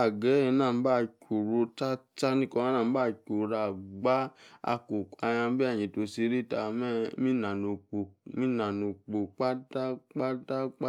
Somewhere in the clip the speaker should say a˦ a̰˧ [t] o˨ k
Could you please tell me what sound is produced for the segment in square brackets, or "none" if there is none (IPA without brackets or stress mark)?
k